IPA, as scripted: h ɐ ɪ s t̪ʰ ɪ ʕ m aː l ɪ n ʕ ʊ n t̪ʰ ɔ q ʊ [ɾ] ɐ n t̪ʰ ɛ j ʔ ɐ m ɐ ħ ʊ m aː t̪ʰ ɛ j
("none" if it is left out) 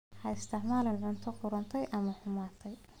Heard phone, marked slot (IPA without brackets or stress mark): ɾ